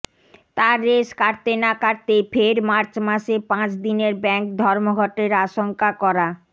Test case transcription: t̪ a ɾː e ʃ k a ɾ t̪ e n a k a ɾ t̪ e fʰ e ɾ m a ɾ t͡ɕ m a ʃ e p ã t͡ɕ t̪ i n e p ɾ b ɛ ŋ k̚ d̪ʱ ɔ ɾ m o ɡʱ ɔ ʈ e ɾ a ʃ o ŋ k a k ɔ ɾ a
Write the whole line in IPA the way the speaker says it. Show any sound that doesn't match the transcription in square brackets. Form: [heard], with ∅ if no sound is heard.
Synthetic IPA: t̪ a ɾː e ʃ k a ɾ t̪ e n a k a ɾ t̪ e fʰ e ɾ m a ɾ t͡ɕ m a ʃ e p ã t͡ɕ [d̪] i n e [∅] ɾ b ɛ ŋ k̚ d̪ʱ ɔ ɾ m o ɡʱ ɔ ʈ e ɾ a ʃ o ŋ k a k ɔ ɾ a